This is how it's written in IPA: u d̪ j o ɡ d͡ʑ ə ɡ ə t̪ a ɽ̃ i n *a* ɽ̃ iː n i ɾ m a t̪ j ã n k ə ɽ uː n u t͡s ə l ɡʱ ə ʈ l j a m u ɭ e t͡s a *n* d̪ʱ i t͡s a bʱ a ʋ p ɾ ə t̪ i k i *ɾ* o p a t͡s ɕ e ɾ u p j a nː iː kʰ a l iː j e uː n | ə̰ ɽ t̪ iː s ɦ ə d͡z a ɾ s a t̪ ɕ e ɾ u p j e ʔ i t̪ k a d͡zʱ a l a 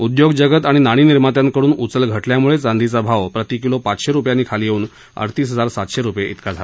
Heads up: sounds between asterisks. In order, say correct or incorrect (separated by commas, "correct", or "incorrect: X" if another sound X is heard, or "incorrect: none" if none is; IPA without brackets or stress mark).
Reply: correct, correct, incorrect: l